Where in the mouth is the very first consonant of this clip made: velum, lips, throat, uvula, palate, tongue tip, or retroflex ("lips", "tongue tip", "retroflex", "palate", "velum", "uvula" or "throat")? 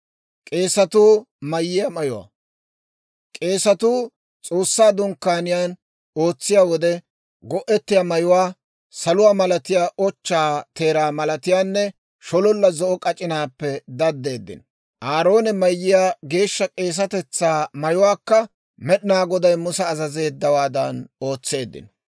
velum